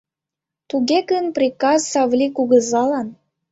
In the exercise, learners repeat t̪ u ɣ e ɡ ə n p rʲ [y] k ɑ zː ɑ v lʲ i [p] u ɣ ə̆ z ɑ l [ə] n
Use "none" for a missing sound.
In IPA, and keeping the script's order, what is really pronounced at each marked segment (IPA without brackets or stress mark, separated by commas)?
i, k, ɑ